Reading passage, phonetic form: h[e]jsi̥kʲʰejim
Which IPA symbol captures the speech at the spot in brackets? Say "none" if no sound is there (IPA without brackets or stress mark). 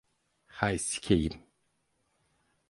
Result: a